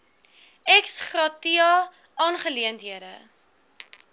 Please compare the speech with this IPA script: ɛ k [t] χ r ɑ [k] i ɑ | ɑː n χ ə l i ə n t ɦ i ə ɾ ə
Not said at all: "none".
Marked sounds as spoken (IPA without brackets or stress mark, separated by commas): s, t